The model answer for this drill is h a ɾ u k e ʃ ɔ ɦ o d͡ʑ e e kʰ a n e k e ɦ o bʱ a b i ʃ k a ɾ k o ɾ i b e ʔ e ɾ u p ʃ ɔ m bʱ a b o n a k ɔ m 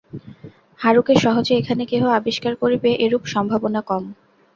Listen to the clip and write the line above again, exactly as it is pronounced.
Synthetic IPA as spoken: h a ɾ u k e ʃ ɔ ɦ o d͡ʑ e e kʰ a n e k e ɦ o a b i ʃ k a ɾ k o ɾ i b e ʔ e ɾ u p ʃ ɔ m bʱ a b o n a k ɔ m